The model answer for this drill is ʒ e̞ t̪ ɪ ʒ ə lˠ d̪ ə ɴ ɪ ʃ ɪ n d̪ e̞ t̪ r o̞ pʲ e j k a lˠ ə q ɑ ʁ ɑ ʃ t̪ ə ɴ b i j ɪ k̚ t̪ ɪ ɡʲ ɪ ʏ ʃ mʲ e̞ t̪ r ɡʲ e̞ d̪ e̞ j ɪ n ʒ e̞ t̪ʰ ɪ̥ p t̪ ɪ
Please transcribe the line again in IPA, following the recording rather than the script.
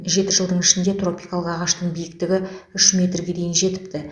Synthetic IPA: ʒ e̞ t̪ ɪ ʒ ə lˠ d̪ ə ɴ ɪ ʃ ɪ n d̪ e̞ t̪ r o̞ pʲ i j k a lˠ ə q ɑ ʁ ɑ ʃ t̪ ə ɴ b i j ɪ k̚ t̪ ɪ ɡʲ ɪ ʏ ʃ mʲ e̞ t̪ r ɡʲ e̞ d̪ e̞ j ɪ n ʒ e̞ t̪ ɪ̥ p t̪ ɪ